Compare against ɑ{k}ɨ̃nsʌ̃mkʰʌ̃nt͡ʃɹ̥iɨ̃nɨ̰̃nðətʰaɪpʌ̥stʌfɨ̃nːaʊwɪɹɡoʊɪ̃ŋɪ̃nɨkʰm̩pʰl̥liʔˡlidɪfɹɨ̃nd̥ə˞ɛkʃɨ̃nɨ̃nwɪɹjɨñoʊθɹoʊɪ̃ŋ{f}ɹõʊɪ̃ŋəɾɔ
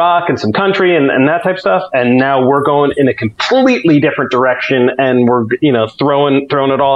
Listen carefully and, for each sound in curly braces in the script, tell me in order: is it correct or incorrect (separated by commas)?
correct, incorrect